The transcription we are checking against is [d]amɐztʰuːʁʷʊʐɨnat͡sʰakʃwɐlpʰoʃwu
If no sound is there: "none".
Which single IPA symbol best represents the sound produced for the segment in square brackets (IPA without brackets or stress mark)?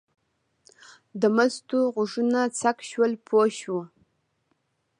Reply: d